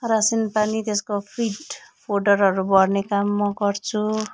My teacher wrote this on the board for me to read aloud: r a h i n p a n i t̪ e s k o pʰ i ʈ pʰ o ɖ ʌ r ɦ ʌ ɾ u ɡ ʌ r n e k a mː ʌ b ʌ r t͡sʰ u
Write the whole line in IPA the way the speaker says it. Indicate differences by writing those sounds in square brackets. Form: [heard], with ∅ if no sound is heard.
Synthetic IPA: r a [s] i n p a n i t̪ e s k o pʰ i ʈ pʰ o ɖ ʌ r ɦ ʌ ɾ u [b] ʌ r n e k a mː ʌ [ɡ] ʌ r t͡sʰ u